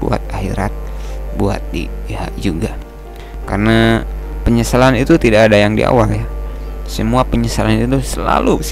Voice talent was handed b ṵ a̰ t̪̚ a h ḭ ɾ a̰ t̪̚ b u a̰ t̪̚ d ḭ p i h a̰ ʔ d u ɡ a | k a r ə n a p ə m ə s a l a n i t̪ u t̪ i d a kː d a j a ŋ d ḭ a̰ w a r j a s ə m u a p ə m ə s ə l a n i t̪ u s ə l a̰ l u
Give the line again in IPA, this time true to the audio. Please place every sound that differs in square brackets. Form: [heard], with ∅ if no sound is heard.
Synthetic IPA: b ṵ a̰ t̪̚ a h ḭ ɾ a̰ t̪̚ b u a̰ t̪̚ d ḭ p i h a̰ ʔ [d͡ʒ] u ɡ a | k a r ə n a p ə [ɲ] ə s a l a n i t̪ u t̪ i d a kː d a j a ŋ d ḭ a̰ w a [l] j a s ə m u a p ə [ɲ] ə s [a] l a n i t̪ u s ə l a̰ l u